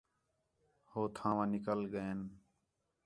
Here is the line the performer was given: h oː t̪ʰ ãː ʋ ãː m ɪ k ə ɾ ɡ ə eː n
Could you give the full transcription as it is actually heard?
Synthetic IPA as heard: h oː t̪ʰ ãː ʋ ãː n ɪ k ə l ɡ ə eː n